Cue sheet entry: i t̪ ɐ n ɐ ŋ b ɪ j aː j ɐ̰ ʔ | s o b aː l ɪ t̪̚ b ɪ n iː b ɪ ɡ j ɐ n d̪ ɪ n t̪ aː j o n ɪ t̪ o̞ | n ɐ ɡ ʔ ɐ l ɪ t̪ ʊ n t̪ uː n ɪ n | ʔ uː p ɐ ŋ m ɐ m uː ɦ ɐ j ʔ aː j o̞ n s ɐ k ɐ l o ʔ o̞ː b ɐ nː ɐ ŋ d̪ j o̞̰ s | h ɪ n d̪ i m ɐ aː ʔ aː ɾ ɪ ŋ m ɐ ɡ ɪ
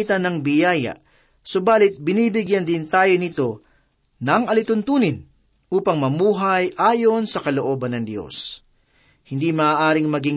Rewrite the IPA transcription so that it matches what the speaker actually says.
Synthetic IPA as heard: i t̪ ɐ n ɐ ŋ b ɪ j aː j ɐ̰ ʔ | s o b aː l ɪ t̪̚ b ɪ n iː b ɪ ɡ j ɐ n d̪ ɪ n t̪ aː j o n ɪ t̪ o̞ | n ɐ ŋ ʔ ɐ l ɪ t̪ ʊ n t̪ uː n ɪ n | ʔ uː p ɐ ŋ m ɐ m uː ɦ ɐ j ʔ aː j o̞ n s ɐ k ɐ l o ʔ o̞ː b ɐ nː ɐ ŋ d̪ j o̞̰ s | h ɪ n d̪ i m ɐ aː ʔ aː ɾ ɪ ŋ m ɐ ɡ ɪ